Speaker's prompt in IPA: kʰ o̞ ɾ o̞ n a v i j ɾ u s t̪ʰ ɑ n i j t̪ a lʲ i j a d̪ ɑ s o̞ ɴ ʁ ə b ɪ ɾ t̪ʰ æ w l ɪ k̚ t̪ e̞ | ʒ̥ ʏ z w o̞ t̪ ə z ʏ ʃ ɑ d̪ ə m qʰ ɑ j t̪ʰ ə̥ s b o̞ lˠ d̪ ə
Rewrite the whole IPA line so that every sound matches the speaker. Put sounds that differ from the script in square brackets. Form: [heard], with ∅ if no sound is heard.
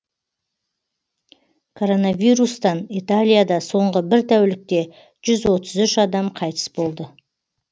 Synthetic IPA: kʰ o̞ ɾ o̞ n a v i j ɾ u s [t̪] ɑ n i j t̪ a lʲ i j a d̪ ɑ s o̞ ɴ ʁ ə b ɪ ɾ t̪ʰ æ w l ɪ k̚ t̪ e̞ | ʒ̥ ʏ z w o̞ t̪ ə z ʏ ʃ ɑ d̪ [ɑ] m qʰ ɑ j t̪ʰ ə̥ s b o̞ lˠ d̪ ə